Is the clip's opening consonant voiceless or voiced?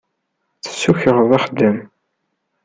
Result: voiceless